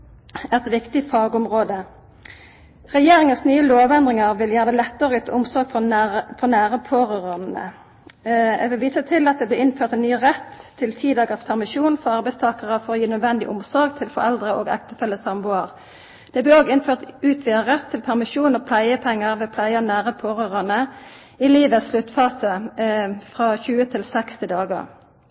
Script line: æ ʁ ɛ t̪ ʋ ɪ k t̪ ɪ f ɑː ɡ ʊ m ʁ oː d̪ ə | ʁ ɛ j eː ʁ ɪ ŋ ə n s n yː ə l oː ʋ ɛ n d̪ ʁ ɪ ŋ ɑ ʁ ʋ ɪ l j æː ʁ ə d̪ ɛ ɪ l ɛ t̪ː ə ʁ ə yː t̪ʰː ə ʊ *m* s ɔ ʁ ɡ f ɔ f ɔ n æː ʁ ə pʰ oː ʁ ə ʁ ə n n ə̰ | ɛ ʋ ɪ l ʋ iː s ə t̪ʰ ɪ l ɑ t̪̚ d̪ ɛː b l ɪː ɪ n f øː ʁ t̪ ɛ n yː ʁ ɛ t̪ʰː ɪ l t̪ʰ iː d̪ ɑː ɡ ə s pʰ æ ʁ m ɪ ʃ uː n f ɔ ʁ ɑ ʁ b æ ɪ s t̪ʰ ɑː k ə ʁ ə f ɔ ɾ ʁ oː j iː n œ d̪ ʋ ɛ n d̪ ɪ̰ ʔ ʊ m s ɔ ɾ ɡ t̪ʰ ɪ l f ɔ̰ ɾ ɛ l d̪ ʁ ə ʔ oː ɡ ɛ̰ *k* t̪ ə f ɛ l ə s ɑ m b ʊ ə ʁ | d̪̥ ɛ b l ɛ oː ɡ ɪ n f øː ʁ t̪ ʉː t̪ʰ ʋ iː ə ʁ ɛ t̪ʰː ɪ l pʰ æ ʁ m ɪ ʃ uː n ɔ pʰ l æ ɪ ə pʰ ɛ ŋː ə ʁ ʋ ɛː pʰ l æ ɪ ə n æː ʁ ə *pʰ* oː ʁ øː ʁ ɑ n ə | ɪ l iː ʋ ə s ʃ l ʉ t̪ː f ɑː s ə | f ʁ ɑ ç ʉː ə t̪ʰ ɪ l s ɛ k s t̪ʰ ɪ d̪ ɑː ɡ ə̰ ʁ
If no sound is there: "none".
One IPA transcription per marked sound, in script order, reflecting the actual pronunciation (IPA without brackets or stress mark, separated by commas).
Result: m, k, pʰ